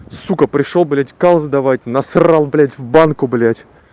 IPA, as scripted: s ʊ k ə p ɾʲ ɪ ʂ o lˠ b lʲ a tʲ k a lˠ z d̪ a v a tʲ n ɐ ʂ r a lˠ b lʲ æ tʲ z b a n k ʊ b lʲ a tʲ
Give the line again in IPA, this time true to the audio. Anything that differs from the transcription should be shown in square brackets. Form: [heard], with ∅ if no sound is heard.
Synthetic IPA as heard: s [u] k ə p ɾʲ ɪ ʂ o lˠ b lʲ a tʲ k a lˠ z d̪ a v a tʲ n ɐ [s] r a lˠ b lʲ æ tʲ [v] b a n k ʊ b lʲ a tʲ